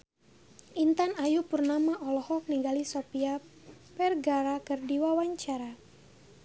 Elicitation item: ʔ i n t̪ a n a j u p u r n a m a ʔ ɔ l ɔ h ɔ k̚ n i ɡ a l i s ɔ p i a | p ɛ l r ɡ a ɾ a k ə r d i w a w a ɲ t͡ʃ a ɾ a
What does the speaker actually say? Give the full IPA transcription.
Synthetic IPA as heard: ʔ i n t̪ a n a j u p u r n a m a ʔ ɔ l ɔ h ɔ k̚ n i ɡ a l i s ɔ p i a | p ɛ r ɡ a ɾ a k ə r d i w a w a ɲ t͡ʃ a ɾ a